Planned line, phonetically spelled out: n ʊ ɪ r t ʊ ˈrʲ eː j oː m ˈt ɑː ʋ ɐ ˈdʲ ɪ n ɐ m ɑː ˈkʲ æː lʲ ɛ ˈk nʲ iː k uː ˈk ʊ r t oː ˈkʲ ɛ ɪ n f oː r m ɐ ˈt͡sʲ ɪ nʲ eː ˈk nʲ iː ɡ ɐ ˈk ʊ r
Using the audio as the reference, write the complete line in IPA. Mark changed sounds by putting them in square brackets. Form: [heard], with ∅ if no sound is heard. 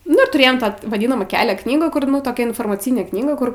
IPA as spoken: n ʊ ɪ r t ʊ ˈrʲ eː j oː m ˈt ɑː ʋ ɐ ˈdʲ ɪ n ɐ m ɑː ˈkʲ æː lʲ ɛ ˈk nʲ iː [ɡ] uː ˈk ʊ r t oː ˈkʲ ɛ ɪ n f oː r m ɐ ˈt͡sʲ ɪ nʲ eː ˈk nʲ iː ɡ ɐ ˈk ʊ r